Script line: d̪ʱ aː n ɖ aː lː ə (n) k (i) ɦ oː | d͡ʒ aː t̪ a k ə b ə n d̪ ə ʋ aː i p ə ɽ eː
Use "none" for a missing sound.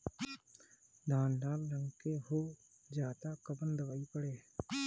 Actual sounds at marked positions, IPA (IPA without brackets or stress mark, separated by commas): ŋ, e